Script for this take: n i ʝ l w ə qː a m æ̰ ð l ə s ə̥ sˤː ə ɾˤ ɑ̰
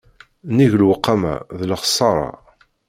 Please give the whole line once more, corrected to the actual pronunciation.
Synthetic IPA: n i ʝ l w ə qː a m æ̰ ð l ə χ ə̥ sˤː ɑ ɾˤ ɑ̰